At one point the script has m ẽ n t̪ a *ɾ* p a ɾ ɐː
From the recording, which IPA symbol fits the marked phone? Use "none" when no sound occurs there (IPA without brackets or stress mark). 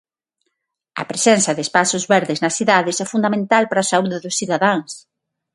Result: l